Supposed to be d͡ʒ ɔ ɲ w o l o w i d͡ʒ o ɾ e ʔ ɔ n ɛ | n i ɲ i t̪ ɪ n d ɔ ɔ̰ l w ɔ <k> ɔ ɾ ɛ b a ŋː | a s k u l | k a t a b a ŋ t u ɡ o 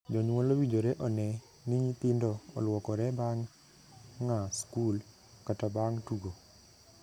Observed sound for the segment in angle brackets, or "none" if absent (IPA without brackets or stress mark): k